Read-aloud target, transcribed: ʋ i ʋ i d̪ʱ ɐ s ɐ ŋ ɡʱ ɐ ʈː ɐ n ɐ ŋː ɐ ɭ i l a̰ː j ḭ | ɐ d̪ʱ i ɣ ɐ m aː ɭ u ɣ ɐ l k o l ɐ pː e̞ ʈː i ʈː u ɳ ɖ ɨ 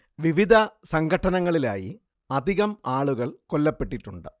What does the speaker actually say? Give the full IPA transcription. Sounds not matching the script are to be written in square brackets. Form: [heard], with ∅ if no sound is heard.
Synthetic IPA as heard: ʋ i ʋ i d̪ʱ ɐ s ɐ ŋ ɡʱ ɐ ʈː ɐ n ɐ ŋː ɐ ɭ i l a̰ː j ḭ | ɐ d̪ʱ i ɣ ɐ m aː ɭ u ɣ ɐ [ɭ] k o [lː] ɐ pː e̞ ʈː i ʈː u ɳ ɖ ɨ